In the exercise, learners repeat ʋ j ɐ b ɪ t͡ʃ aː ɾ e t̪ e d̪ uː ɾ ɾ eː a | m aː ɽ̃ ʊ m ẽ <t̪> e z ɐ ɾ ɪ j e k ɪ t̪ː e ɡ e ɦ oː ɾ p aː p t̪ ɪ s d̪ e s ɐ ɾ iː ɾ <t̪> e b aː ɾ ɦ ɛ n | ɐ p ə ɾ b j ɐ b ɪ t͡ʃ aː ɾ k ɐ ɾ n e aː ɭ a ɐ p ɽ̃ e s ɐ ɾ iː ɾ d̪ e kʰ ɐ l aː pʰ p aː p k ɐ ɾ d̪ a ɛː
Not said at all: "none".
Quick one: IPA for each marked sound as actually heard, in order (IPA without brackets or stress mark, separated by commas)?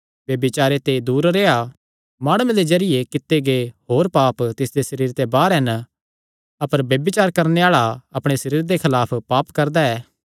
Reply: d̪, t̪